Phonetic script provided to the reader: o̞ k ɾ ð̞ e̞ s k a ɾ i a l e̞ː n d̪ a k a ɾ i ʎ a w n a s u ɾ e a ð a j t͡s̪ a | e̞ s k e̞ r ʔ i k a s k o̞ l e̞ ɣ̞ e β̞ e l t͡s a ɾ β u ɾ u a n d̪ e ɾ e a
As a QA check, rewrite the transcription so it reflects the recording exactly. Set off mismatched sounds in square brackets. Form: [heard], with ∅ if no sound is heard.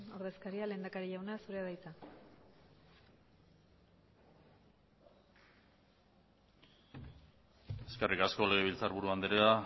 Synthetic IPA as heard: o̞ [∅] ɾ ð̞ e̞ s k a ɾ i a l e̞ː n d̪ a k a ɾ i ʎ a w n a s u ɾ e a ð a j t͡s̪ a | e̞ s k e̞ r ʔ i k a s k o̞ l e̞ ɣ̞ e β̞ [i] l t͡s a ɾ β u ɾ u a n d̪ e ɾ e a